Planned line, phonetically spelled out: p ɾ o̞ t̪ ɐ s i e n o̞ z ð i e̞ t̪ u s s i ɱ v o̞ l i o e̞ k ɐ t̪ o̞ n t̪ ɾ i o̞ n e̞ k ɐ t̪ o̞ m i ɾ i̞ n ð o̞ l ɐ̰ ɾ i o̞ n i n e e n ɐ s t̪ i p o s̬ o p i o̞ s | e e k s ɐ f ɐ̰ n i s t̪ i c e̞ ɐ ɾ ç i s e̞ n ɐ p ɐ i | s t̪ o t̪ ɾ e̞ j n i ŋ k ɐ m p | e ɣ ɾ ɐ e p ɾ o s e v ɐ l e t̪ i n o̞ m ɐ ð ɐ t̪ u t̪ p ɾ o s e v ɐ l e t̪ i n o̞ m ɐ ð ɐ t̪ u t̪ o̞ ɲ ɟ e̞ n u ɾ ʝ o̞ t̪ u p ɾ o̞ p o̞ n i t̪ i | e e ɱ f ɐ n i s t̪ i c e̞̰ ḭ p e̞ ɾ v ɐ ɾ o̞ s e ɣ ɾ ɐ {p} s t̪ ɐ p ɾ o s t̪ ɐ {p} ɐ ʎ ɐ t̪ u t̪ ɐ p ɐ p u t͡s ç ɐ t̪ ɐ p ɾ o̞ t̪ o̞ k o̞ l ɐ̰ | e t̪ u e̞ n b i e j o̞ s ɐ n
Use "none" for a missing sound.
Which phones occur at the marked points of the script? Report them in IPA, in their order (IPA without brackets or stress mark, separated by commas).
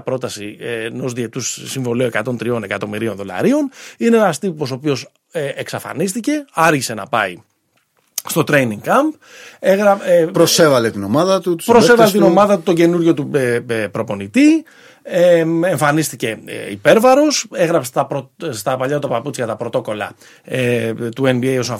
p, p